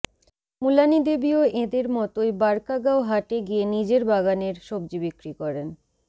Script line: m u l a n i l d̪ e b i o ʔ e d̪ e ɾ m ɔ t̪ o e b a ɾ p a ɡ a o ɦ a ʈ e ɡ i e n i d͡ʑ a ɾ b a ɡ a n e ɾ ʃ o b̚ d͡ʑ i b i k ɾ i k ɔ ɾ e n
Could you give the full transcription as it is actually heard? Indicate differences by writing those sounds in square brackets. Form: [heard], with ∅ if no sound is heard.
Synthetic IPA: m u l a n i [∅] d̪ e b i o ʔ e d̪ e ɾ m ɔ t̪ o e b a ɾ [k] a ɡ a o ɦ a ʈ e ɡ i e n i d͡ʑ [e] ɾ b a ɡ a n e ɾ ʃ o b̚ d͡ʑ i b i k ɾ i k ɔ ɾ e n